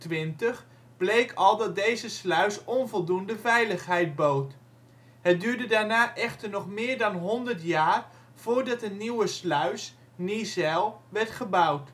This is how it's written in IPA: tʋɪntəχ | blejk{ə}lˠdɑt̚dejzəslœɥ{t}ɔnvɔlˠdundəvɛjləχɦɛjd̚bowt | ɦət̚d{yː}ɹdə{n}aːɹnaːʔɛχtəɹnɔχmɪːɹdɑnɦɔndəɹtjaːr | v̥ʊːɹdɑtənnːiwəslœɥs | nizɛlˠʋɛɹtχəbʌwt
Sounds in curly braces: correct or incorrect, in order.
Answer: incorrect: ɑ, incorrect: s, correct, incorrect: d

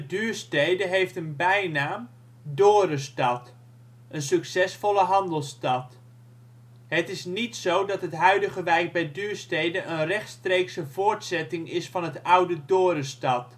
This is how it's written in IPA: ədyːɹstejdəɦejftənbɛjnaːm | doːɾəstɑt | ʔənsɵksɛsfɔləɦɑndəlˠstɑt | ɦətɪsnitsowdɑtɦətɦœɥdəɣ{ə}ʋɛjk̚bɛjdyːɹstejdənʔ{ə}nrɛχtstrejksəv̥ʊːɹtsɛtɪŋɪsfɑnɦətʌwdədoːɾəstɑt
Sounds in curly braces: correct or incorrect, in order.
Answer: correct, correct

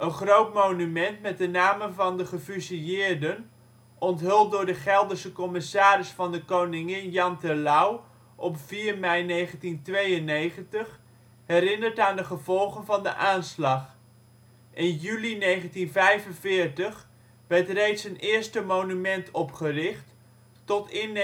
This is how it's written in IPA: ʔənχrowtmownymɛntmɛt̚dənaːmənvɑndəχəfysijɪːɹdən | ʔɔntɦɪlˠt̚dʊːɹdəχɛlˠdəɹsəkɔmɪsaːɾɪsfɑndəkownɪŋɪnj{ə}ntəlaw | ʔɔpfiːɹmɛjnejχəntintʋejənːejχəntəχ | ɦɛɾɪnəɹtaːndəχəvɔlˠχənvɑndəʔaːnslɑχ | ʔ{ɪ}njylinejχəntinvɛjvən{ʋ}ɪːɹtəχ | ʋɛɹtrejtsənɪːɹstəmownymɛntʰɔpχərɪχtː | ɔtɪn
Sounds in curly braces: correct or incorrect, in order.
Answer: incorrect: ɑ, correct, incorrect: v

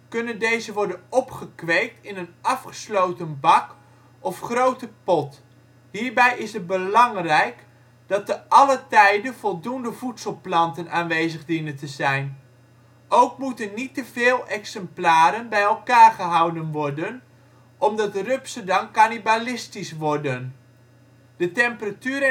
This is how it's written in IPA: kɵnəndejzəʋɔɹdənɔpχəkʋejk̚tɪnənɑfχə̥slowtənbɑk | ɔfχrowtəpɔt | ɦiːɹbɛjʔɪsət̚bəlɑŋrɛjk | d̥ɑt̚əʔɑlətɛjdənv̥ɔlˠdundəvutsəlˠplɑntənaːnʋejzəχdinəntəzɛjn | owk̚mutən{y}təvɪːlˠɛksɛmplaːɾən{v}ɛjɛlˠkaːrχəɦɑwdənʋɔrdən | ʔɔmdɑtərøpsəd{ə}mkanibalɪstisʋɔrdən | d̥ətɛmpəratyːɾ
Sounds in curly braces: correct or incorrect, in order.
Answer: incorrect: i, incorrect: b, incorrect: ɑ

